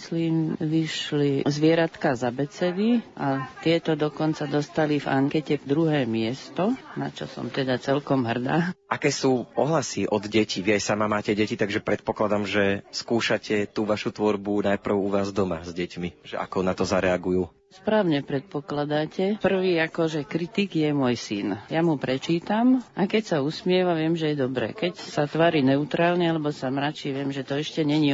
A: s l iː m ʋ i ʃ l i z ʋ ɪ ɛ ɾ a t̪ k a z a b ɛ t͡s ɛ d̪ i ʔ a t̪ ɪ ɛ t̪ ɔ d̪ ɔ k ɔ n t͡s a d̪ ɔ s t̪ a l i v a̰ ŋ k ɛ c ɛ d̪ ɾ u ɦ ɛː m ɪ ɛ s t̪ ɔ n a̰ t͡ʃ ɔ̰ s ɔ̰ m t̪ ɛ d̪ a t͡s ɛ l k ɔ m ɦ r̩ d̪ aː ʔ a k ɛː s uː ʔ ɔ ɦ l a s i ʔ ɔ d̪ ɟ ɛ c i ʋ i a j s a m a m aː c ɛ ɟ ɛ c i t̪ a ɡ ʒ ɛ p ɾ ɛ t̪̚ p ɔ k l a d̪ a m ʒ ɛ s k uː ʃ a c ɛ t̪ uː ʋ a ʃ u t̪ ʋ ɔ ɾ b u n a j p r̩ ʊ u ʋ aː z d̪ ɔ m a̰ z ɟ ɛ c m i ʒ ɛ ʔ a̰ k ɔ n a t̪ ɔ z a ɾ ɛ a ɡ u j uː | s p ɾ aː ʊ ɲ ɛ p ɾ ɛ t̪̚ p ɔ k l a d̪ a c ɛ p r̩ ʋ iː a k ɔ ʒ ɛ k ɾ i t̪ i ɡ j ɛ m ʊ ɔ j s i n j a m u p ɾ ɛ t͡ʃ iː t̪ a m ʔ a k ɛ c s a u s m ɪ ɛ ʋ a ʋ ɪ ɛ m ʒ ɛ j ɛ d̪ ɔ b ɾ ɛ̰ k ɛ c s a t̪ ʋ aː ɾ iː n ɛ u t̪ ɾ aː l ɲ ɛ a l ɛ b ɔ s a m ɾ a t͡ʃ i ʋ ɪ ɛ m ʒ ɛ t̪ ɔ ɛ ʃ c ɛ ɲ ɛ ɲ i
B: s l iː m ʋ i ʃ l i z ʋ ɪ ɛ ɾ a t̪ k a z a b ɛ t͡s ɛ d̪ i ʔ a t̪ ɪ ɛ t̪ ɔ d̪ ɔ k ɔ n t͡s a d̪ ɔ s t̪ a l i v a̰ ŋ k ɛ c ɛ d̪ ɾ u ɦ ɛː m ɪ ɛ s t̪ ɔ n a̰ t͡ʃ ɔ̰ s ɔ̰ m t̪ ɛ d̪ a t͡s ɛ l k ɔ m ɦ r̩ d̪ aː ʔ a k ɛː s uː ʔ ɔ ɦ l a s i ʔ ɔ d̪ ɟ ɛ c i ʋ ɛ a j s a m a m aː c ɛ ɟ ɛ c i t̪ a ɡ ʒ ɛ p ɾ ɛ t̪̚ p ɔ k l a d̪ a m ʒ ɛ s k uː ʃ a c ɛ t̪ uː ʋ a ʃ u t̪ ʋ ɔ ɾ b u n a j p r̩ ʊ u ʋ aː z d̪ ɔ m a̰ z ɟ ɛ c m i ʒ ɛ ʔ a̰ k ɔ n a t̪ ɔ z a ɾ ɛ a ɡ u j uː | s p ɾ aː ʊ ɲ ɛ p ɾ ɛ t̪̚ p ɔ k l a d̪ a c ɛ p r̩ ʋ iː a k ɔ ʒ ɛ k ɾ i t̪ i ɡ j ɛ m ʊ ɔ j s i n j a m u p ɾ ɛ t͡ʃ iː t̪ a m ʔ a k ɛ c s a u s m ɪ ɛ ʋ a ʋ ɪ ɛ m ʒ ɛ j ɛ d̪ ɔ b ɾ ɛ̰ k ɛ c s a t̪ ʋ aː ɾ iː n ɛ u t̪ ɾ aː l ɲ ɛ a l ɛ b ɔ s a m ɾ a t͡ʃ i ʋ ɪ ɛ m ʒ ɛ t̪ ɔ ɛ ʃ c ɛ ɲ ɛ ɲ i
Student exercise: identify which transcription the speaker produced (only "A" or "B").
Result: A